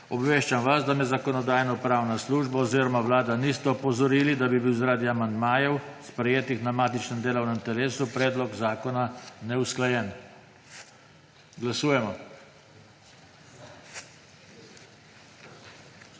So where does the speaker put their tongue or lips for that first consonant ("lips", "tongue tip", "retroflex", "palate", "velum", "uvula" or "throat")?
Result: lips